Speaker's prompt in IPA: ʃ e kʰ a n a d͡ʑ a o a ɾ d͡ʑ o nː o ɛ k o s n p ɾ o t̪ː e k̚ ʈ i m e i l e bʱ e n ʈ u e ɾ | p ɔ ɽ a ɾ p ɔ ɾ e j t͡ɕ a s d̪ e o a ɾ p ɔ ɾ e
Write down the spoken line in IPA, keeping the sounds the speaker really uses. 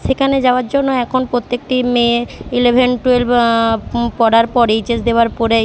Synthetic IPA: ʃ e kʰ a n e d͡ʑ a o a ɾ d͡ʑ o nː o ɛ kʰ o n p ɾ o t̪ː e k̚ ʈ i m e i l e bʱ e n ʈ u e l | p ɔ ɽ a ɾ p ɔ ɾ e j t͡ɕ e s d̪ e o a ɾ p ɔ ɾ e